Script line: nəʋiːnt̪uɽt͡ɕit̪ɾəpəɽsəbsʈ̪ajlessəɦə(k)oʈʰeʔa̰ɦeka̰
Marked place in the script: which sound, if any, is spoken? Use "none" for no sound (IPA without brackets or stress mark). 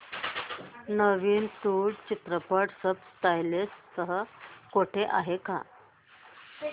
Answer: k